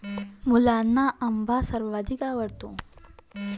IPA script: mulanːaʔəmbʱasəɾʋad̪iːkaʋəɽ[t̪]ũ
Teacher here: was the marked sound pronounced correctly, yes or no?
yes